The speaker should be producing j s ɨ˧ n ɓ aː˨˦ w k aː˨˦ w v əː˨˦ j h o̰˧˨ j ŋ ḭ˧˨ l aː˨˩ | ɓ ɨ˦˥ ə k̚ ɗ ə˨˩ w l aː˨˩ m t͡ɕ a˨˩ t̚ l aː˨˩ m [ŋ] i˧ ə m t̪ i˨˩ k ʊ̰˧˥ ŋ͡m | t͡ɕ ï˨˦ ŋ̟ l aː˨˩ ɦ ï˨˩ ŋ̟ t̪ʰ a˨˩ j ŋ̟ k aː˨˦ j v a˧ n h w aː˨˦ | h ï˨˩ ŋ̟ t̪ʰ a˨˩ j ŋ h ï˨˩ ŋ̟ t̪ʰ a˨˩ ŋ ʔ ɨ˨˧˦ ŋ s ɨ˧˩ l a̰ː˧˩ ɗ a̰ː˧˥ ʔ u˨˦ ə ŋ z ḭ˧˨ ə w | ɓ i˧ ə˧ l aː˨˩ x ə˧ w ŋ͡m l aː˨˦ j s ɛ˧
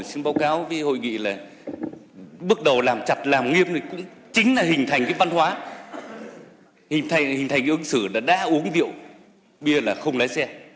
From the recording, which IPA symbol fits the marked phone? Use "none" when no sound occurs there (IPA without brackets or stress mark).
ŋ